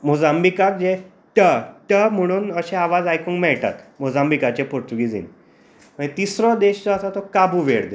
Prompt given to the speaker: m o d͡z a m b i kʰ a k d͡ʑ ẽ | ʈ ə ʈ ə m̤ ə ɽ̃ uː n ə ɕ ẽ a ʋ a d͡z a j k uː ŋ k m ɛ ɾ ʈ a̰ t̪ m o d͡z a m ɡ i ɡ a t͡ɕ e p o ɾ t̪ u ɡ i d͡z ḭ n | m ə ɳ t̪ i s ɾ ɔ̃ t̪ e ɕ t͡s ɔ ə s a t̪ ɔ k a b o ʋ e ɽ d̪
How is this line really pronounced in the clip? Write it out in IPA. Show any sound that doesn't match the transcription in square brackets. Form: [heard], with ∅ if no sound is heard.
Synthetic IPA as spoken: m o d͡z a m b i [k] a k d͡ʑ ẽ | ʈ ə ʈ ə m̤ ə ɽ̃ uː n ə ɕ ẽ a ʋ a d͡z a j k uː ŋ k m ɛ [ɭ] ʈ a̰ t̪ m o d͡z a m [b] i [k] a t͡ɕ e p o ɾ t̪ u ɡ i d͡z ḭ n | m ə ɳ t̪ i s ɾ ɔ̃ [d̪] e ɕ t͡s ɔ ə s a t̪ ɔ k a b [u] ʋ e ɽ d̪

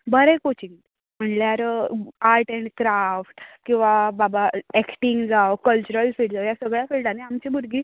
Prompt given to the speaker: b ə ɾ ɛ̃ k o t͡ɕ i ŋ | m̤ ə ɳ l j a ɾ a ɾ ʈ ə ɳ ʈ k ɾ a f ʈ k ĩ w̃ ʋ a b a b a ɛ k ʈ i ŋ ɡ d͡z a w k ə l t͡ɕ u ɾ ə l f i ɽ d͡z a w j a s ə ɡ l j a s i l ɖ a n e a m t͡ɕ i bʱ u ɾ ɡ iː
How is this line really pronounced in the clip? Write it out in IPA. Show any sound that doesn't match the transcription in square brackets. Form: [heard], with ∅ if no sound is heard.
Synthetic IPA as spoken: b ə ɾ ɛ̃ k o t͡ɕ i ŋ | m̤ ə ɳ l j a ɾ a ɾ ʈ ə ɳ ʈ k ɾ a f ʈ k ĩ w̃ ʋ a b a b a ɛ k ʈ i ŋ ɡ d͡z a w k ə l t͡ɕ u ɾ ə l f i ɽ d͡z a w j a s ə ɡ [ɭ] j a [f] i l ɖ a n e a m t͡ɕ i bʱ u ɾ ɡ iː

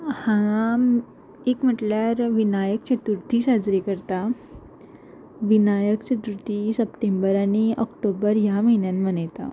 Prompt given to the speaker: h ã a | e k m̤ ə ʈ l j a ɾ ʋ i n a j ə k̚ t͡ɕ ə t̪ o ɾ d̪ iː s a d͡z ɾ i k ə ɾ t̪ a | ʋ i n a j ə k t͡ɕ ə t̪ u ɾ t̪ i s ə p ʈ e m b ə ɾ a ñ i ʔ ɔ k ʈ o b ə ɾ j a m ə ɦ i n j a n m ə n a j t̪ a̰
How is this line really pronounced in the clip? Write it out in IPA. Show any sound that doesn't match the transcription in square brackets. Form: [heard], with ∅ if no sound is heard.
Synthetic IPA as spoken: h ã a | e k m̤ ə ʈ l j a ɾ ʋ i n a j ə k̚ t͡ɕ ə t̪ [u] ɾ [t̪] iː s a d͡z ɾ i k ə ɾ t̪ a | ʋ i n a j ə k t͡ɕ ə t̪ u ɾ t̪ i s ə p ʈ e m b ə ɾ a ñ i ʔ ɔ k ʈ o b ə ɾ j a m ə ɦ i n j a n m ə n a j t̪ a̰

